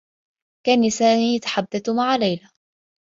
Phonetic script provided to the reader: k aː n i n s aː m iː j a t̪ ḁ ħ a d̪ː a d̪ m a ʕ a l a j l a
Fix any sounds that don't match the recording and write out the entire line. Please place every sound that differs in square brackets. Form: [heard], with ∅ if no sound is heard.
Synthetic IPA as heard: k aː n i [∅] s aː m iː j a t̪ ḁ ħ a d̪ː a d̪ m a ʕ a l a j l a